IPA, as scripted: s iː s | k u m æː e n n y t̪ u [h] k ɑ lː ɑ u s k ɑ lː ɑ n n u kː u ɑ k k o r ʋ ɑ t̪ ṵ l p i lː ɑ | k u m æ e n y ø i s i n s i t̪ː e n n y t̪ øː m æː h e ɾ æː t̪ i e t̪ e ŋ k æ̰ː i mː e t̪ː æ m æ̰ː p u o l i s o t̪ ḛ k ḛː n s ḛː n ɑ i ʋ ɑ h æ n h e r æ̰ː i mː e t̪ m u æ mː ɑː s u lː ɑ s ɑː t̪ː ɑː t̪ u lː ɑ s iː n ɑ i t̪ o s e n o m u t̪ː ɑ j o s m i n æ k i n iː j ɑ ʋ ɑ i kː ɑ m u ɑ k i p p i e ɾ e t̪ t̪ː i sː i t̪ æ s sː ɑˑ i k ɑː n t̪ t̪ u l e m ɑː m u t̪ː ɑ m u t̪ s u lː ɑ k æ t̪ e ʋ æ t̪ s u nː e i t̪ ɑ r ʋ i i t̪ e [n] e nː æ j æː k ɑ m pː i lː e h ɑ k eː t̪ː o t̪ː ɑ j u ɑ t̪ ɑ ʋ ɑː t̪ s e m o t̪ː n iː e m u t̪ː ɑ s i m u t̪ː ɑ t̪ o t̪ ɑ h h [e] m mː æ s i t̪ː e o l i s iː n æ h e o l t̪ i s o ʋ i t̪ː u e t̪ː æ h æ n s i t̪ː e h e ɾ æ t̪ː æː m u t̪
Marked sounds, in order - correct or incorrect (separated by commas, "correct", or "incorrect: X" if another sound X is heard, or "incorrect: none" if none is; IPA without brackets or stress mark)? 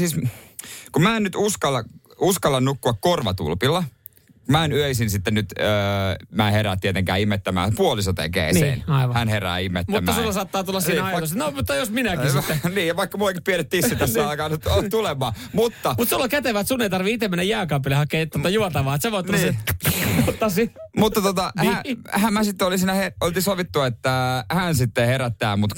incorrect: s, incorrect: m, incorrect: æ